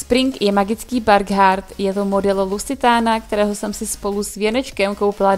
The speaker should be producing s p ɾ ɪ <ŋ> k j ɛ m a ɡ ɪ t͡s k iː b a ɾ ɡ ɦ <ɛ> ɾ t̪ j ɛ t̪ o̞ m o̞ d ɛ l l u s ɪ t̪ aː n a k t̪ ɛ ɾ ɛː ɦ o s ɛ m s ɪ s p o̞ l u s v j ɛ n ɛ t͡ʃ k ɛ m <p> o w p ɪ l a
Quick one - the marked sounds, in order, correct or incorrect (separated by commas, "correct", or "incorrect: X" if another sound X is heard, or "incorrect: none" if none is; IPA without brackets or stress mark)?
correct, incorrect: a, incorrect: k